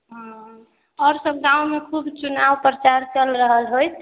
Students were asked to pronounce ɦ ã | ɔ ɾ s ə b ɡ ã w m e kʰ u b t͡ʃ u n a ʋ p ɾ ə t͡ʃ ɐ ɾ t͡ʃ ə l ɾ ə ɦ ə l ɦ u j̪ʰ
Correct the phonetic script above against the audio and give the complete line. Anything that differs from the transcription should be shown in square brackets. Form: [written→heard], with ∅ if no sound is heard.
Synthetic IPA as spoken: ɦ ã | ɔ ɾ s ə b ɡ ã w m e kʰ u b t͡ʃ u n a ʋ p ɾ ə t͡ʃ [ɐ→a] ɾ t͡ʃ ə l ɾ ə ɦ ə l ɦ [u→o] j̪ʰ